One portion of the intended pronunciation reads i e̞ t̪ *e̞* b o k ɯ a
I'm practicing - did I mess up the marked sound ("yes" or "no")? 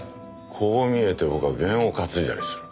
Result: no